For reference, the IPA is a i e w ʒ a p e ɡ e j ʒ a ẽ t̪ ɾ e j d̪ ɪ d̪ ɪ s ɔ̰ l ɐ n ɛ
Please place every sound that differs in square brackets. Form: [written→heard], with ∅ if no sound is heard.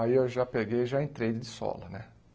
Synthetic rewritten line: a i e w ʒ a p e ɡ e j ʒ a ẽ t̪ ɾ e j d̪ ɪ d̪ ɪ s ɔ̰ l ɐ n ɛ